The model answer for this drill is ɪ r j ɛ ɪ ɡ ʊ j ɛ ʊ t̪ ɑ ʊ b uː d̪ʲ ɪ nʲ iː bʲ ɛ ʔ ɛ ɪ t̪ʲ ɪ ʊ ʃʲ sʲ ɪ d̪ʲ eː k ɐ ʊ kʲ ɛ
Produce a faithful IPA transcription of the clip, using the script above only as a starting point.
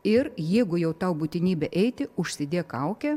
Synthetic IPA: ɪ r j ɛ ɪ ɡ ʊ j ɛ ʊ t̪ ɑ ʊ b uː t̪ʲ ɪ nʲ iː bʲ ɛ ʔ ɛ ɪ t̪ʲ ɪ ʊ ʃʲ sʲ ɪ d̪ʲ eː k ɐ ʊ kʲ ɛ